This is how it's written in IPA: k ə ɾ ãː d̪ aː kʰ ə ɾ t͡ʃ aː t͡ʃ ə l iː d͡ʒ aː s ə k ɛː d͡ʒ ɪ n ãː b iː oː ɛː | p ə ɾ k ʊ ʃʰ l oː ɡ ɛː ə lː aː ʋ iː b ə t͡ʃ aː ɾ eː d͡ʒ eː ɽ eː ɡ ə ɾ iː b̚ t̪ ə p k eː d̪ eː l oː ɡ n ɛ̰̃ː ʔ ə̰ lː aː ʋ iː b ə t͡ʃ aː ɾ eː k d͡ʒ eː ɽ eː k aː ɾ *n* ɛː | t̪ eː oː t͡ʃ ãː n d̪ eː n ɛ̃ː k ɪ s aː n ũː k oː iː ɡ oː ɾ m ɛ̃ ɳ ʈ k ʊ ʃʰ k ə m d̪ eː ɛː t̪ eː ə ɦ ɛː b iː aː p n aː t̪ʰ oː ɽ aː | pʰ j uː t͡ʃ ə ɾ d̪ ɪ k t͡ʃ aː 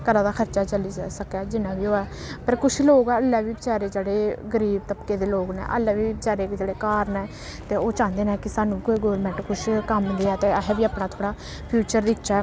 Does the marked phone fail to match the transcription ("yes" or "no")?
no